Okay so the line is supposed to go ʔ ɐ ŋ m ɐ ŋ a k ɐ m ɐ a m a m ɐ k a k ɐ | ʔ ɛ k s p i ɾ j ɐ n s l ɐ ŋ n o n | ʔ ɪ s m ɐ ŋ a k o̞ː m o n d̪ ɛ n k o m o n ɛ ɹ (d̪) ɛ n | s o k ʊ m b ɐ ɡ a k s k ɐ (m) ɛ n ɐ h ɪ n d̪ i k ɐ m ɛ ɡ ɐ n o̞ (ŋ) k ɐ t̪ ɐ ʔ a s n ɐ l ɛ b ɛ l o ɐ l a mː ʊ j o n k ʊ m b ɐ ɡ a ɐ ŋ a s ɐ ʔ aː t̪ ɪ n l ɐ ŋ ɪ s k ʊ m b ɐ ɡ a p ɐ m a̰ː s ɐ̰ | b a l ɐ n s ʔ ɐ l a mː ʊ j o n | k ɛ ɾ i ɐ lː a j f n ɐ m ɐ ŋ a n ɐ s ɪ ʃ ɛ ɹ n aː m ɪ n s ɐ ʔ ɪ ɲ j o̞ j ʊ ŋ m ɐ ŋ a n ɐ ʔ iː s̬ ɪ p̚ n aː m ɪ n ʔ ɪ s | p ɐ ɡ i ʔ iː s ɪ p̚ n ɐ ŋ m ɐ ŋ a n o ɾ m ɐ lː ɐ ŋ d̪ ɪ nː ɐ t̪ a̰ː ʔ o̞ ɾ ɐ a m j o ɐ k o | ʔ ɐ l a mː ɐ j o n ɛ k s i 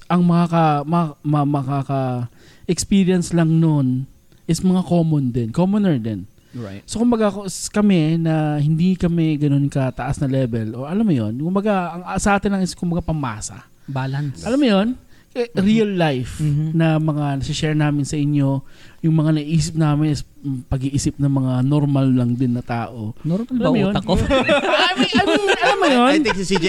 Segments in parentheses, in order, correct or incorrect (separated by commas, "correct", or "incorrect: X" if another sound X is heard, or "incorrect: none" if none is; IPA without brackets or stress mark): correct, correct, incorrect: n